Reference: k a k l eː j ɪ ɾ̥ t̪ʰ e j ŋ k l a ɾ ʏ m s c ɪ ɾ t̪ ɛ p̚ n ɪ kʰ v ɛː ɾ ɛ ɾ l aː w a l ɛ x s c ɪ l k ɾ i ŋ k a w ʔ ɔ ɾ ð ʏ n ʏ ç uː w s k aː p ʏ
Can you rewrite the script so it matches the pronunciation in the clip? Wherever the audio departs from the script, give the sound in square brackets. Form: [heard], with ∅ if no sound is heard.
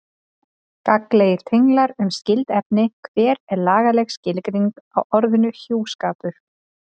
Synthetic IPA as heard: k a k l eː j ɪ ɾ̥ t̪ʰ e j ŋ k l a ɾ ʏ m s c ɪ [l] t̪ ɛ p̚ n ɪ kʰ v ɛː ɾ ɛ ɾ l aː [ɣ] a l ɛ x s c ɪ l k ɾ i ŋ k a w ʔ ɔ ɾ ð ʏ n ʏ ç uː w s k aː p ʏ